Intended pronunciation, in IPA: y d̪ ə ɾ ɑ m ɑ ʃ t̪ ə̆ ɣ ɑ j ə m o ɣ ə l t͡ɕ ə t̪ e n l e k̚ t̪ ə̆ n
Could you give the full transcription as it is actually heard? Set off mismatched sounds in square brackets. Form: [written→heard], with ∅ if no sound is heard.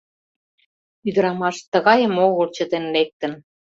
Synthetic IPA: y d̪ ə ɾ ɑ m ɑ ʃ t̪ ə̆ ɣ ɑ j ə m o ɣ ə l t͡ɕ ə t̪ e n l e k̚ t̪ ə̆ n